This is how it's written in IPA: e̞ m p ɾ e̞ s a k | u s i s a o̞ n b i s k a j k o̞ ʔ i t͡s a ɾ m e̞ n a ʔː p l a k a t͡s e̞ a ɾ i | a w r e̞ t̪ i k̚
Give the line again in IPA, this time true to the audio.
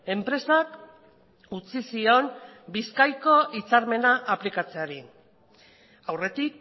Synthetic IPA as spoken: e̞ m p ɾ e̞ s a k | u t͡s i s i o̞ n b i s k a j k o̞ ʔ i t͡s a ɾ m e̞ n a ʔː p l i k a t͡s e̞ a ɾ i | a w r e̞ t̪ i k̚